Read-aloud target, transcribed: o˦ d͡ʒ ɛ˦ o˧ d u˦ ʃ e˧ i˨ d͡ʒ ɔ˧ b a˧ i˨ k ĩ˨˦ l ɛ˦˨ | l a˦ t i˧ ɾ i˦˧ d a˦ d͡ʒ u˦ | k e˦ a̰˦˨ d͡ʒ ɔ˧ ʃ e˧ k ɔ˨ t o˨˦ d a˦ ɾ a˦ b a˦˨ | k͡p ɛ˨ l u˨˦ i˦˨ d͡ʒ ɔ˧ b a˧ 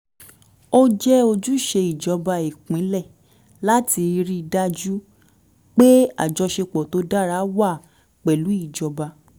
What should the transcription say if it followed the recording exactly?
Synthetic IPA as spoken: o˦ d͡ʒ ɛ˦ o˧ d͡ʒ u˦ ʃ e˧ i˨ d͡ʒ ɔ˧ b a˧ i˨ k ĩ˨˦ l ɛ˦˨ | l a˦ t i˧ ɾ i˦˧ d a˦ d͡ʒ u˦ | k͡p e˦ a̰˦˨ d͡ʒ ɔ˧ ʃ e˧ k͡p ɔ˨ t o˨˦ d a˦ ɾ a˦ w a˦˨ | k͡p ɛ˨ l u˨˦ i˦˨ d͡ʒ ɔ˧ b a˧

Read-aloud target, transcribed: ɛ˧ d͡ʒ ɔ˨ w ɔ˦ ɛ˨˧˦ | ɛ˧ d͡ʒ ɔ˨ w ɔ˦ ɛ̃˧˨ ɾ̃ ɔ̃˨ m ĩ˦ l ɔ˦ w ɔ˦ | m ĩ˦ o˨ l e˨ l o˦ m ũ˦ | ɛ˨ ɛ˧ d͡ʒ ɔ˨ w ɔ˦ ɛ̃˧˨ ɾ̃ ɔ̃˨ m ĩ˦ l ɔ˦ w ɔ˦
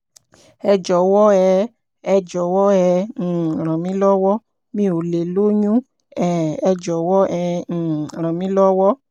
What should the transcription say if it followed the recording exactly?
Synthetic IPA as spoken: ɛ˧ d͡ʒ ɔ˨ w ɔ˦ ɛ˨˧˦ | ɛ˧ d͡ʒ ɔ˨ w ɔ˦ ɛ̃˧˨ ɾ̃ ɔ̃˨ m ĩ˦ l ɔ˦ w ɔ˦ | m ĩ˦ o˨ l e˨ l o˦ ɲ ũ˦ | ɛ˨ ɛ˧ d͡ʒ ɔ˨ w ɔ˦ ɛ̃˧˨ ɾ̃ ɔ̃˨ m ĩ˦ l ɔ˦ w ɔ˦

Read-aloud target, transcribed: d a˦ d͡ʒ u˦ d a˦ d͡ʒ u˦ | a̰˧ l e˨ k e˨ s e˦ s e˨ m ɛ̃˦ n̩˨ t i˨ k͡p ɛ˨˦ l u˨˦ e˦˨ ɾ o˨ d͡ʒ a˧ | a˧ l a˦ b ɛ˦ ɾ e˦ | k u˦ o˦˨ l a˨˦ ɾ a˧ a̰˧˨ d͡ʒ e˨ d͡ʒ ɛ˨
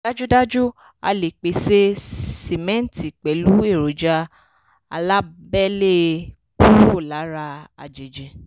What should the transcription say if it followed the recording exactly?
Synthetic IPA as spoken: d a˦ d͡ʒ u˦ d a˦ d͡ʒ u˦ | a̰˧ l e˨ k͡p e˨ s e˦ s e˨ m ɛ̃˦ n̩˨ t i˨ k͡p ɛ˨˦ l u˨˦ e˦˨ ɾ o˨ d͡ʒ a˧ | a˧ l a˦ b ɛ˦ l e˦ | k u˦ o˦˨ l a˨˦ ɾ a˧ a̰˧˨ d͡ʒ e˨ d͡ʒ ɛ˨

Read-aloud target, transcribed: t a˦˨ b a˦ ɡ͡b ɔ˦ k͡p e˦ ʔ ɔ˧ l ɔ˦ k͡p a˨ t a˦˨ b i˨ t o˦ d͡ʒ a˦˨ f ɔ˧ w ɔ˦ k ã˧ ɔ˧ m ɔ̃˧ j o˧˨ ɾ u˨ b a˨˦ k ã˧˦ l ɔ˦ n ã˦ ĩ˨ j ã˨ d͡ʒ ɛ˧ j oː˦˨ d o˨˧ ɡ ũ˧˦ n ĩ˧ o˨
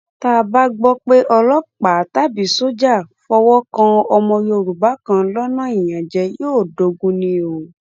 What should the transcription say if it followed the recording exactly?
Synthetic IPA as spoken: t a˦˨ b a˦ ɡ͡b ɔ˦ k͡p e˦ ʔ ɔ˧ l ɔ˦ k͡p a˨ t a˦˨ b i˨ s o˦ d͡ʒ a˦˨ f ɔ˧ w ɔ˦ k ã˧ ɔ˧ m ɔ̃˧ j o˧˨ ɾ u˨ b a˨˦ k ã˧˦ l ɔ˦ n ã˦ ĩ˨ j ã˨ d͡ʒ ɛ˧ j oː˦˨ d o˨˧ ɡ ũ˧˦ n ĩ˧ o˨

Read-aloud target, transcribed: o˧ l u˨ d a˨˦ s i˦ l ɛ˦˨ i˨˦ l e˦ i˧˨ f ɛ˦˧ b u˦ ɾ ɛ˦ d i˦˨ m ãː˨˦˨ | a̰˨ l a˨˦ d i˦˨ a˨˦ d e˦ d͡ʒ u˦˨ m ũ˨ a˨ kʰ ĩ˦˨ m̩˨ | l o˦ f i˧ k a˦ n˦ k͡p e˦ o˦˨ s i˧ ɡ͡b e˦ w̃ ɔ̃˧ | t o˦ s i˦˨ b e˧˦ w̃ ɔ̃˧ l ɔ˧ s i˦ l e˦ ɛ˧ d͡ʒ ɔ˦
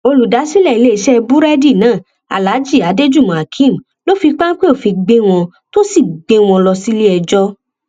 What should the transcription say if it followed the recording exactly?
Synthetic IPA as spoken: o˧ l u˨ d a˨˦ s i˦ l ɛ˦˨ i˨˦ l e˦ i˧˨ ʃ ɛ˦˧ b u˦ ɾ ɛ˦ d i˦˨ n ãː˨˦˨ | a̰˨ l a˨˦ d͡ʒ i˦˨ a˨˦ d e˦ d͡ʒ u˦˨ m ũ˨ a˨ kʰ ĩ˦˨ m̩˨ | l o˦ f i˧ k͡p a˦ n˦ k͡p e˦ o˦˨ f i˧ ɡ͡b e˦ w̃ ɔ̃˧ | t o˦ s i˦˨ ɡ͡b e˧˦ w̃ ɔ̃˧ l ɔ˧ s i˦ l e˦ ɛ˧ d͡ʒ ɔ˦

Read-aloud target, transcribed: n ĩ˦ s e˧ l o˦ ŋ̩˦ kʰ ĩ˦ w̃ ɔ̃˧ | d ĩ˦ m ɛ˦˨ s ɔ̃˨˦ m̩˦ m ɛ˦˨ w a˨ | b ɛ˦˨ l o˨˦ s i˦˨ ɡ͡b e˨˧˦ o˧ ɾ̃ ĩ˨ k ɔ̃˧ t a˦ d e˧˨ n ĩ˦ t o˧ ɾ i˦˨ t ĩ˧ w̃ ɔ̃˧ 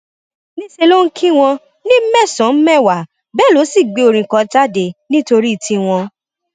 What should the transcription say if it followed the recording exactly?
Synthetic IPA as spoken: n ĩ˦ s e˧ l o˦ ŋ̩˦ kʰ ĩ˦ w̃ ɔ̃˧ | n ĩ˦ m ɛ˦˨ s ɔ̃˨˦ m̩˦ m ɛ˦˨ w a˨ | b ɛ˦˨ l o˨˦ s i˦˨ ɡ͡b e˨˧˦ o˧ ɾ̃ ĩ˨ k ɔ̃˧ t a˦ d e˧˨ n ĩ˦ t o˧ ɾ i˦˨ t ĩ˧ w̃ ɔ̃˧

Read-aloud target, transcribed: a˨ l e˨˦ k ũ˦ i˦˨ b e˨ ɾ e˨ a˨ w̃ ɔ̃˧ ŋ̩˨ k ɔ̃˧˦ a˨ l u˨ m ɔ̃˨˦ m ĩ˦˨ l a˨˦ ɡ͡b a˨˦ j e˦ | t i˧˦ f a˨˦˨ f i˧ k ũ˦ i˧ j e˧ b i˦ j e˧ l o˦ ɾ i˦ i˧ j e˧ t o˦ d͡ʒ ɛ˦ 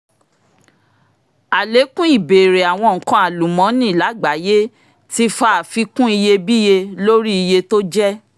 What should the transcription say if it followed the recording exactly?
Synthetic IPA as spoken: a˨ l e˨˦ k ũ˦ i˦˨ b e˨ ɾ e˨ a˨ w̃ ɔ̃˧ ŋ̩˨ k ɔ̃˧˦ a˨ l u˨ m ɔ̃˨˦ n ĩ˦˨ l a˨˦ ɡ͡b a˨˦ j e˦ | t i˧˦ f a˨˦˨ f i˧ k ũ˦ i˧ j e˧ b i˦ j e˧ l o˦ ɾ i˦ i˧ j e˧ t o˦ d͡ʒ ɛ˦

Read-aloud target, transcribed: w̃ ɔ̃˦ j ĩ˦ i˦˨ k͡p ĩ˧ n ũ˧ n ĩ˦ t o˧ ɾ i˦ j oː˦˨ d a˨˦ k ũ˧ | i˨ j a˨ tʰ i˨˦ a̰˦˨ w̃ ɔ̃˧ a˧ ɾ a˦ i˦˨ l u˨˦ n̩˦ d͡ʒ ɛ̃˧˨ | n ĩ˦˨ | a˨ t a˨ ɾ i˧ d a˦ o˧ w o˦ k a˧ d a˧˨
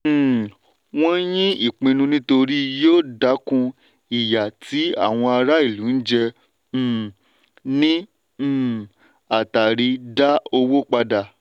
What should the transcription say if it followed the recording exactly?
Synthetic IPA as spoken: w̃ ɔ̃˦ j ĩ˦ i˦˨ k͡p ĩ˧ n ũ˧ n ĩ˦ t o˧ ɾ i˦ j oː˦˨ d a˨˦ k ũ˧ | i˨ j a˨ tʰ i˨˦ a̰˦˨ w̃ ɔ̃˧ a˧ ɾ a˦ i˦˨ l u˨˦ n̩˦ d͡ʒ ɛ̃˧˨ | n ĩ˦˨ | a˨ t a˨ ɾ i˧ d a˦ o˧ w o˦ k͡p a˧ d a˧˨

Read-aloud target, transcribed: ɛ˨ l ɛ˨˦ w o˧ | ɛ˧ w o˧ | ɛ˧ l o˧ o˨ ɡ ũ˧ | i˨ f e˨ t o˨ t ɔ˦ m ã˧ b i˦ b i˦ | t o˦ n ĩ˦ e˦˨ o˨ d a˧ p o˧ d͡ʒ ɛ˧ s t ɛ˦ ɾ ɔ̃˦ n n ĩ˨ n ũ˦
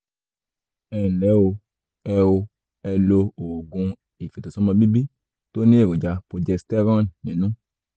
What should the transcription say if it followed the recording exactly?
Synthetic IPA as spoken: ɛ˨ l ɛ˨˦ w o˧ | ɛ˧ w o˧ | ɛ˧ l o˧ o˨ ɡ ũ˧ | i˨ f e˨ t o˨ s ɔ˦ m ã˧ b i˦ b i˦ | t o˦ n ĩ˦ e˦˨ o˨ d͡ʒ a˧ p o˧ d͡ʒ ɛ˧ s t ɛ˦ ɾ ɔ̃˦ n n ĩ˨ n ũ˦

